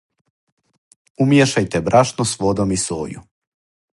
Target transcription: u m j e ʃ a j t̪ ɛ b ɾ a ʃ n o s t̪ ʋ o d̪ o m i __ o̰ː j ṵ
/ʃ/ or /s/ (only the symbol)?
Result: s